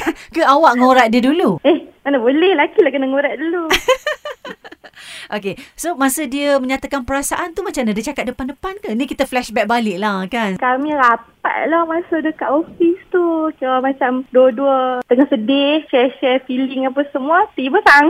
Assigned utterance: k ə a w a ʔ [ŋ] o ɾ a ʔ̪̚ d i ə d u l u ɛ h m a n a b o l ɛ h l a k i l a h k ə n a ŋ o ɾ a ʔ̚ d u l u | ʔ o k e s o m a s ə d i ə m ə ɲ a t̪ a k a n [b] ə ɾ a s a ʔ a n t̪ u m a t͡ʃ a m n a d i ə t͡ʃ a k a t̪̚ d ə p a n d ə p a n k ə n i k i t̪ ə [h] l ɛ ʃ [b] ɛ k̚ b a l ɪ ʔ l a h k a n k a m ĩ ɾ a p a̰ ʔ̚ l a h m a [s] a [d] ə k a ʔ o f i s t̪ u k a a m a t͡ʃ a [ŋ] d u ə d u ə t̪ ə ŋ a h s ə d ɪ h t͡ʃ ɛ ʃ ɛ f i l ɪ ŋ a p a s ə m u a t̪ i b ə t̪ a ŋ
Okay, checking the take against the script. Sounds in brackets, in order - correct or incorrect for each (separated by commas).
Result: correct, incorrect, incorrect, correct, correct, correct, incorrect